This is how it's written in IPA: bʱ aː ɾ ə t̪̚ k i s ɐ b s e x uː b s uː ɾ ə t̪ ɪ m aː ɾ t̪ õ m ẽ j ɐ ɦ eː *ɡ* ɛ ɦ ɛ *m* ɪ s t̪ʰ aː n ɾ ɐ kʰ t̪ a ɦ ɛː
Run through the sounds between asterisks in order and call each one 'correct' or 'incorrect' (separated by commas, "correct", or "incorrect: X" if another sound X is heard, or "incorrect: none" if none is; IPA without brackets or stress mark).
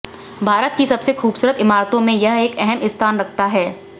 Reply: incorrect: k, correct